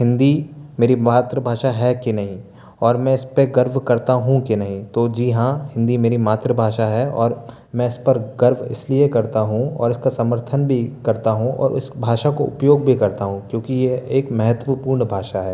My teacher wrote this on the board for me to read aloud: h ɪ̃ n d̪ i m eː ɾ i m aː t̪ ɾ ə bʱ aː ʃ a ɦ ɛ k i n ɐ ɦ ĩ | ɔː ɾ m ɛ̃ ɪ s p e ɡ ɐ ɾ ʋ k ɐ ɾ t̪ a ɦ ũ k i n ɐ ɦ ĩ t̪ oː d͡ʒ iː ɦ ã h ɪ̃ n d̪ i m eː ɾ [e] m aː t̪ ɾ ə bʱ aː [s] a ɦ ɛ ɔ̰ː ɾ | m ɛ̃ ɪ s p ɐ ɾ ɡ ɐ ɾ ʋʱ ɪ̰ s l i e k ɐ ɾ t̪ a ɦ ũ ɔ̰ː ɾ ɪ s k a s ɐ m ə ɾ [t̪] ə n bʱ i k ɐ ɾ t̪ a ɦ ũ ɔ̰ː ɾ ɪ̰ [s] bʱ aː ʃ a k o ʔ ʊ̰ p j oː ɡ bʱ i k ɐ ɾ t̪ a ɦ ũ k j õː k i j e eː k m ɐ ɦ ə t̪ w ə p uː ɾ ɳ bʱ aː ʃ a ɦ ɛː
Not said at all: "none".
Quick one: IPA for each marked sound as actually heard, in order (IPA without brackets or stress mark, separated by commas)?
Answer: i, ʃ, t̪ʰ, s